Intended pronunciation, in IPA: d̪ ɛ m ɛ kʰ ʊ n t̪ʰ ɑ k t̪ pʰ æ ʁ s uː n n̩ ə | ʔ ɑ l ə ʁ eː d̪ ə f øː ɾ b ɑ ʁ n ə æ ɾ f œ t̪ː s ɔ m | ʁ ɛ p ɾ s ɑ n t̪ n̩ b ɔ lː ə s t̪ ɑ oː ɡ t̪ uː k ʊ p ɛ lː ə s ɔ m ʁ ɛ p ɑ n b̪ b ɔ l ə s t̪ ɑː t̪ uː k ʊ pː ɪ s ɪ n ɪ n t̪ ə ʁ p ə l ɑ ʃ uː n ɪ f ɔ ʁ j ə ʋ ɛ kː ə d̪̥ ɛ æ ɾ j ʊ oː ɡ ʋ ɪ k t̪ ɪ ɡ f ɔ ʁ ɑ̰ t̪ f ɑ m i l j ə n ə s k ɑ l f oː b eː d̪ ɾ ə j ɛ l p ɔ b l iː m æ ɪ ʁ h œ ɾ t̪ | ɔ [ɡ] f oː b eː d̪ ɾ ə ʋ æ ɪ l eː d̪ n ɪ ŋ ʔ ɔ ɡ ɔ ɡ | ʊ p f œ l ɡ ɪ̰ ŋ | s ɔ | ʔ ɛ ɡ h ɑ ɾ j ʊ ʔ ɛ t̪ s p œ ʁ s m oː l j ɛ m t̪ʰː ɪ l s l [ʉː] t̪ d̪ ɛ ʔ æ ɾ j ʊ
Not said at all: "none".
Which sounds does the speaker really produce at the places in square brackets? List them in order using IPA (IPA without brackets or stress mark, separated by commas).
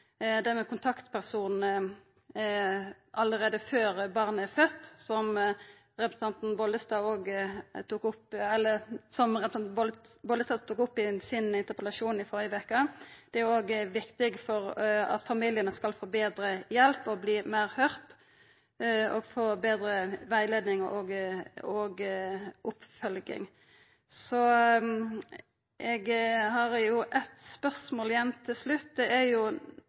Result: ɡ, ʉ